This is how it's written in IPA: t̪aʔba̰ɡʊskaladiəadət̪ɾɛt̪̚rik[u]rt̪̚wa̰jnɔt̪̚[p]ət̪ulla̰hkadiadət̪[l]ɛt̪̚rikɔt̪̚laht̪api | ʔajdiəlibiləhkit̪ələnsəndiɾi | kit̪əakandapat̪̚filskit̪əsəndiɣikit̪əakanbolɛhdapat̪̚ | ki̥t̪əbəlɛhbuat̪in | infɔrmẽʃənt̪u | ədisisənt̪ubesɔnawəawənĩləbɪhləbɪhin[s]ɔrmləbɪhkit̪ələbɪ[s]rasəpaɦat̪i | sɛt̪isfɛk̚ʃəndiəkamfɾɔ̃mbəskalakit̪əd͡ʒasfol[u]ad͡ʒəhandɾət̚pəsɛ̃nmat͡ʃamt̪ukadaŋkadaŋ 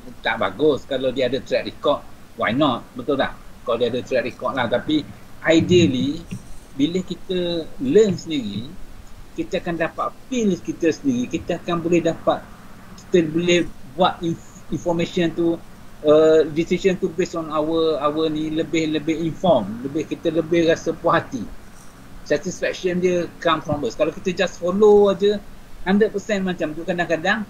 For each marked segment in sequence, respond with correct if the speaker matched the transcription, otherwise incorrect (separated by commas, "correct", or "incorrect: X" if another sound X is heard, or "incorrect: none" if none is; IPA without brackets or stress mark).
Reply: incorrect: ɔ, incorrect: b, incorrect: ɾ, incorrect: f, incorrect: h, incorrect: o